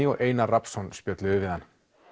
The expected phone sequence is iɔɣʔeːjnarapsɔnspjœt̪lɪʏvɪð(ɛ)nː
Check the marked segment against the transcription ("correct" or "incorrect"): incorrect